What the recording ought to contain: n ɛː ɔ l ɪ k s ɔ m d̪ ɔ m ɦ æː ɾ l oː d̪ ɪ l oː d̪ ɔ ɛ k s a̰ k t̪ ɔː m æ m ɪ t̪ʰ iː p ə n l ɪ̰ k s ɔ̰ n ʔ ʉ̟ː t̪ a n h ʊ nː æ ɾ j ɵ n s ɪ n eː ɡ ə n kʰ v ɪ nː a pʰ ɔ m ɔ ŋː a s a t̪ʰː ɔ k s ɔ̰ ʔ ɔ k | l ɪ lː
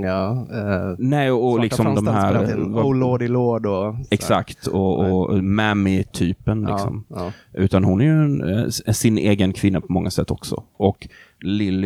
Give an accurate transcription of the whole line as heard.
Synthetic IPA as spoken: n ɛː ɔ l ɪ k s ɔ m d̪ ɔ m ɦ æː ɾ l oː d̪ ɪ l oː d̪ ɔ ɛ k s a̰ k t̪ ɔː m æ m ɪ t̪ʰ yː p ə n l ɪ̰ k s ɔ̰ m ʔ ʉ̟ː t̪ a n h ʊ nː æ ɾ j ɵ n s ɪ n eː ɡ ə n kʰ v ɪ nː a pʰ ɔ m ɔ ŋː a s ɛ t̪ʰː ɔ k s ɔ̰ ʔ ɔ k | l ɪ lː